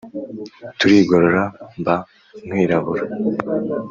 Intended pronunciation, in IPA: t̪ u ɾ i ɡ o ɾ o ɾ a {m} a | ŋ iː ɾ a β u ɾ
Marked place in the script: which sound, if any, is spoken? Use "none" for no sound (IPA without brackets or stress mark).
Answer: b